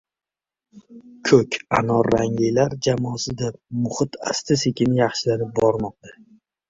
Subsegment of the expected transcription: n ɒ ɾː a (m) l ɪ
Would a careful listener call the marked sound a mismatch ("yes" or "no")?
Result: yes